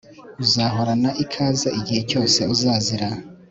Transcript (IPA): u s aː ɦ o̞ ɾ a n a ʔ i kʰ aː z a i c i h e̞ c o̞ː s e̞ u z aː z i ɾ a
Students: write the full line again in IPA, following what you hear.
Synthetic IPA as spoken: u z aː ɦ o̞ ɾ a n a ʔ i kʰ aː z a i ɟ i h e̞ c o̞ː s e̞ u z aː z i ɾ a